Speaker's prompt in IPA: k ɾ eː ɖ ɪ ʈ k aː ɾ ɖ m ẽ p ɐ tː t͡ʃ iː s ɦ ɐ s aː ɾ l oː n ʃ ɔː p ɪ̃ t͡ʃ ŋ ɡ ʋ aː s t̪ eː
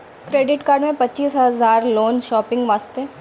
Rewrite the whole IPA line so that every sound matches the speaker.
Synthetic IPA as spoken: k ɾ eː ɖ ɪ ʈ k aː ɾ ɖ m ẽ p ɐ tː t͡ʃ iː s ɦ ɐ z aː ɾ l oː n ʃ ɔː p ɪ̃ ŋ ɡ ʋ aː s t̪ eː